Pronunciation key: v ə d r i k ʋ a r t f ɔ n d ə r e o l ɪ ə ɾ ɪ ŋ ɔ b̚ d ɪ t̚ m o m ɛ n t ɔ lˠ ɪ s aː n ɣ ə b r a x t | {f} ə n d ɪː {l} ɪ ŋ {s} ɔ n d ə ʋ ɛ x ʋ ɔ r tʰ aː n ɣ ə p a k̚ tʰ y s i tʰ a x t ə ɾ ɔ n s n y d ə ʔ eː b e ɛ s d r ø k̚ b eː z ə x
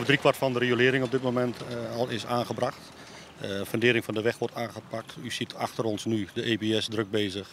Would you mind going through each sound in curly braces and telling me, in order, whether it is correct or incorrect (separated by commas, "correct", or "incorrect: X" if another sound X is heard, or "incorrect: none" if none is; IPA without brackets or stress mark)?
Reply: correct, incorrect: ɾ, incorrect: f